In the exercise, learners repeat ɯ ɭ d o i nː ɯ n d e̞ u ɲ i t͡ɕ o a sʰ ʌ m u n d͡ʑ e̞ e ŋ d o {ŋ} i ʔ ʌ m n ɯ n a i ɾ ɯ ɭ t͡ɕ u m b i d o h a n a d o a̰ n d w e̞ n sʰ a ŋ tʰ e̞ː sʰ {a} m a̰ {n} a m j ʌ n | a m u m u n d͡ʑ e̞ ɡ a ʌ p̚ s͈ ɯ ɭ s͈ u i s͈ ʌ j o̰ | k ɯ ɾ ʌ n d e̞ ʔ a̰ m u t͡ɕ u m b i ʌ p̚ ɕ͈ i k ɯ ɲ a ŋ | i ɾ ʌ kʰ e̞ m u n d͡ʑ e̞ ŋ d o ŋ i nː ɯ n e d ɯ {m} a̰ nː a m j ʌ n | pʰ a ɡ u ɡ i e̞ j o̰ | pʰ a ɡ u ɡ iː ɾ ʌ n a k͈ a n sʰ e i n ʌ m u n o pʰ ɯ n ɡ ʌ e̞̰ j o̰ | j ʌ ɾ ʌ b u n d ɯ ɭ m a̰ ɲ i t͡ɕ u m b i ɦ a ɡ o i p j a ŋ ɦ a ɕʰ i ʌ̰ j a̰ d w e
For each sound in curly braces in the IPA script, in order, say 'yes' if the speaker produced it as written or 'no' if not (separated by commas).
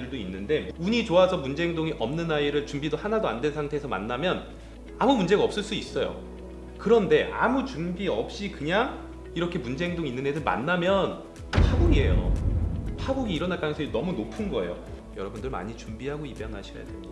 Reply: yes, no, no, yes